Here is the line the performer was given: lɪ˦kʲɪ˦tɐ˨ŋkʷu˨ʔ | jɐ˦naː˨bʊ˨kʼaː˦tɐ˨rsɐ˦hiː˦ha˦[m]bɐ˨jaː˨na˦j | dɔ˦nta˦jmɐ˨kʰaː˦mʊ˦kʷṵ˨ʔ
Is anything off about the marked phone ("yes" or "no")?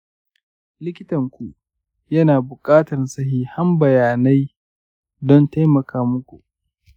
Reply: no